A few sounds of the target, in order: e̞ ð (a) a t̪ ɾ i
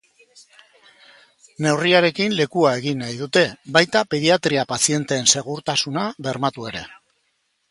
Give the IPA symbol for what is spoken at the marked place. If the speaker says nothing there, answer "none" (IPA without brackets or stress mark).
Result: i